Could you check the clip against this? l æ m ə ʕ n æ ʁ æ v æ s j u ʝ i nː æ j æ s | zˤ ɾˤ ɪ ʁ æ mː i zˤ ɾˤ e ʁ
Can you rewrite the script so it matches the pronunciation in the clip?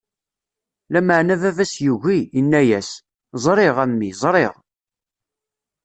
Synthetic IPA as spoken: l æ m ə ʕ n æ v æ v æ s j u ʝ i nː æ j æ s | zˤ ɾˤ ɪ ʁ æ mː i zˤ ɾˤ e ʁ